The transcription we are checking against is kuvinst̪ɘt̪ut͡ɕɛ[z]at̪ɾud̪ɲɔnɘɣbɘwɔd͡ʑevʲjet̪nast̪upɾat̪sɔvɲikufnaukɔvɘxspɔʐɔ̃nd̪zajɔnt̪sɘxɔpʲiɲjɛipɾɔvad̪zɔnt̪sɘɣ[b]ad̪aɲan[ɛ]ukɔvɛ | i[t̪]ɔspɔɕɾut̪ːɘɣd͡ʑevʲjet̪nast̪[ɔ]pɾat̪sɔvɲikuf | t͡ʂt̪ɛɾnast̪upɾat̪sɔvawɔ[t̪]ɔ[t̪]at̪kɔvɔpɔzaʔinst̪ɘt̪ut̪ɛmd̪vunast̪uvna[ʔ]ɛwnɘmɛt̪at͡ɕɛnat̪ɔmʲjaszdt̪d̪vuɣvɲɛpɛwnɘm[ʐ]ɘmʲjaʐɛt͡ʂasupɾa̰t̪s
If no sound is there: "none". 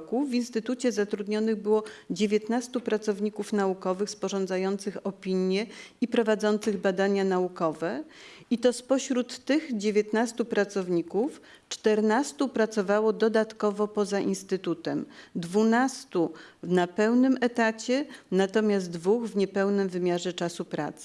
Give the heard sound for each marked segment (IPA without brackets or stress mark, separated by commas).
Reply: z, b, a, t̪, u, d̪, d̪, p, v